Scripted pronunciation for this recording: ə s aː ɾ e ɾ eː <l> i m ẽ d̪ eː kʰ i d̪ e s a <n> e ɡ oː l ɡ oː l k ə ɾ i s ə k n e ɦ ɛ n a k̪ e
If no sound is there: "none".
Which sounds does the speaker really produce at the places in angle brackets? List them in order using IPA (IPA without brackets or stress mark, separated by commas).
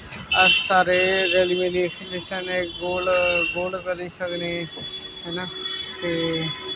l, n